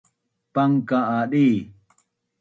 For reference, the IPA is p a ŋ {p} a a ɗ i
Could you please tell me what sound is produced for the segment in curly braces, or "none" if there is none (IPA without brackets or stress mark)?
k